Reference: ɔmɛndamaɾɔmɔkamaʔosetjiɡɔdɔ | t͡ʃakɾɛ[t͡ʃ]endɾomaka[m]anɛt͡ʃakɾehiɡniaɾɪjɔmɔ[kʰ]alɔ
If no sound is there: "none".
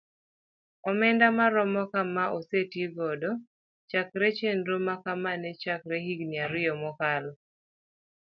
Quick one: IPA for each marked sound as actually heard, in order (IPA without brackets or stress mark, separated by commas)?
t͡ʃ, m, k